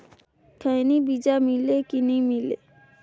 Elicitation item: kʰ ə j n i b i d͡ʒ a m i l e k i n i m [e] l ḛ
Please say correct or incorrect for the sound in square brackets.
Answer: incorrect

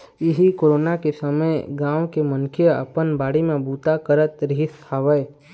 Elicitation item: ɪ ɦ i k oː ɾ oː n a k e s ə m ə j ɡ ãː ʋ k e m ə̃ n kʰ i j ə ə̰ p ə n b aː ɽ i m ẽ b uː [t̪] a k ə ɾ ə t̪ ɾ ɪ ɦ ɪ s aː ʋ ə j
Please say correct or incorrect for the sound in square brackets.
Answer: correct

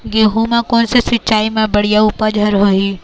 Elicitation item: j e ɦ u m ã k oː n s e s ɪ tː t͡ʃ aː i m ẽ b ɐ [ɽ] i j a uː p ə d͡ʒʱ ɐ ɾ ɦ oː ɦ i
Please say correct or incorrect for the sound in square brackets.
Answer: correct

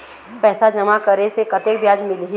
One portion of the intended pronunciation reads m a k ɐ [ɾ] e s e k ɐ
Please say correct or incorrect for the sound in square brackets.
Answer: correct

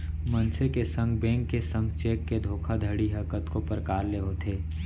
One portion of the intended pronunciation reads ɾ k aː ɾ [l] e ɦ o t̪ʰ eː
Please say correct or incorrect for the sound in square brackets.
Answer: correct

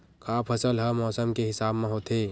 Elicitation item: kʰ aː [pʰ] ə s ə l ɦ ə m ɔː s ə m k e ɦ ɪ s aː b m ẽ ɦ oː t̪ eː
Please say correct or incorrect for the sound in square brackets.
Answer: correct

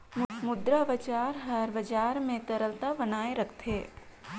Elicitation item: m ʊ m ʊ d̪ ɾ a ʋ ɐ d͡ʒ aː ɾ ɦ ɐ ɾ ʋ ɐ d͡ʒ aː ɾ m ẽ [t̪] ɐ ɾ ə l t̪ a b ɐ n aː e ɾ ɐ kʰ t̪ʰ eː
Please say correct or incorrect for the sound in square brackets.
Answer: correct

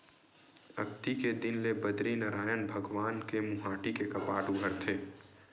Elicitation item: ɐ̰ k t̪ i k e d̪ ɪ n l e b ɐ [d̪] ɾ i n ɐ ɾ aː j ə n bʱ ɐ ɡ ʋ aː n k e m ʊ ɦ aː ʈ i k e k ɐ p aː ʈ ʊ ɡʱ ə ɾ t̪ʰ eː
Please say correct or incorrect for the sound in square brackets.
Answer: correct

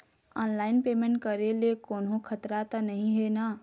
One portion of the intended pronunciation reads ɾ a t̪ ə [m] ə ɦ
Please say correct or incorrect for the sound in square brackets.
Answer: incorrect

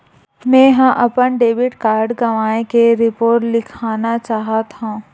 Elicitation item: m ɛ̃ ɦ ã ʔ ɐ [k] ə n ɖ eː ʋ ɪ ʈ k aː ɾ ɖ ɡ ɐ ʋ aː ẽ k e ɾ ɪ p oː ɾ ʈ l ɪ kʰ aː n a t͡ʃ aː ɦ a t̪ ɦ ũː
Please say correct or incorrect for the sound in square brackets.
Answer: incorrect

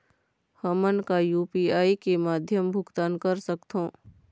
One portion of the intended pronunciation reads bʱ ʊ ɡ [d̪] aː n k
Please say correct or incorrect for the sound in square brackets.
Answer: incorrect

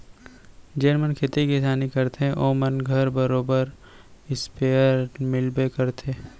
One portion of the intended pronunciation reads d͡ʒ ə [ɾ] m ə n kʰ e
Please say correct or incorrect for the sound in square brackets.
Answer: correct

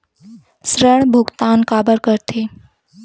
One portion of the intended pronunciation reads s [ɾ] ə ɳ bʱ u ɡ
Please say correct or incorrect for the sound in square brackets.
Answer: correct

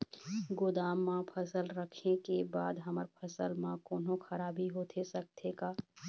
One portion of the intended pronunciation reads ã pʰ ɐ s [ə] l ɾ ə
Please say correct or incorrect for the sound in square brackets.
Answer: correct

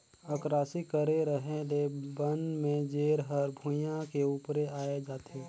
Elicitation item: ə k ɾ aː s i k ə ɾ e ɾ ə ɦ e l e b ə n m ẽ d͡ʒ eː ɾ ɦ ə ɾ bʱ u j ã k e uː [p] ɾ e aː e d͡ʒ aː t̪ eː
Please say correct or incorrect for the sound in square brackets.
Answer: correct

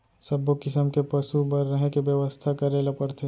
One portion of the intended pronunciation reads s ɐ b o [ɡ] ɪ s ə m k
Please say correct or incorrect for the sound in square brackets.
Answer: incorrect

